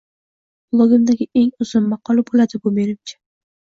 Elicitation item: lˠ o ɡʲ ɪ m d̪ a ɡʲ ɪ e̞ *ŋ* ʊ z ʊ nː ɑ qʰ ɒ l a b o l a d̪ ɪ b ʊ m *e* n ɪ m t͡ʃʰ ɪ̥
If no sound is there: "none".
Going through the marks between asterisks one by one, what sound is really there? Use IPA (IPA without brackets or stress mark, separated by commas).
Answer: ŋ, e